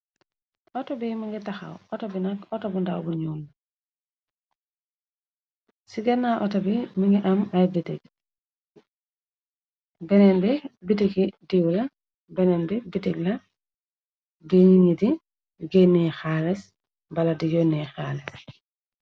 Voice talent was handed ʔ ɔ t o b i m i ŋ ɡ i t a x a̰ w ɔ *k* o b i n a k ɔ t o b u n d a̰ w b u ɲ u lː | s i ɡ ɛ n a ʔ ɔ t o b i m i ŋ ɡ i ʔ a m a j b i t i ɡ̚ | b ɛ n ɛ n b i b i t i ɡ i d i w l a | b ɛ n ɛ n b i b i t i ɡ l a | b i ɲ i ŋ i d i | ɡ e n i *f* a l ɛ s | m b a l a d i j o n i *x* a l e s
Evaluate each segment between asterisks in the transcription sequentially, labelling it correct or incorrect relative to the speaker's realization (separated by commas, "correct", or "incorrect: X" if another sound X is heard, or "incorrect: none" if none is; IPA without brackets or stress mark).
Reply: incorrect: t, incorrect: x, correct